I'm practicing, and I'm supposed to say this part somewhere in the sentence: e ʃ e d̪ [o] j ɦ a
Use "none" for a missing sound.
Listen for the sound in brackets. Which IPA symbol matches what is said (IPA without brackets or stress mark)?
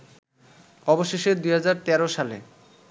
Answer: u